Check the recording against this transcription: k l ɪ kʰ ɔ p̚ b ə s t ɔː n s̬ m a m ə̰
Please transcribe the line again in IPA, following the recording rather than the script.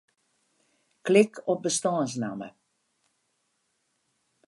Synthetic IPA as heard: k l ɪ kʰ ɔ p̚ b ə s t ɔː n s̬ n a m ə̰